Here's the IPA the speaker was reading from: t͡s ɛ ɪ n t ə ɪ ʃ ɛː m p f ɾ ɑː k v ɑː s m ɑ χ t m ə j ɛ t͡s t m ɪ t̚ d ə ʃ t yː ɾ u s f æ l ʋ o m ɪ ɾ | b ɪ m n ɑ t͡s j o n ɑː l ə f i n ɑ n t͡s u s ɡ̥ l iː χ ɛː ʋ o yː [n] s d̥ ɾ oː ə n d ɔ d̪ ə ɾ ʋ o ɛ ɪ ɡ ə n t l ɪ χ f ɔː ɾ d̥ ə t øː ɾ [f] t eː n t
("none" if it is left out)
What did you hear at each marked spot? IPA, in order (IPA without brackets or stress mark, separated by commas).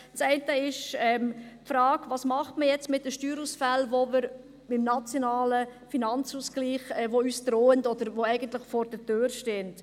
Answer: none, ʃ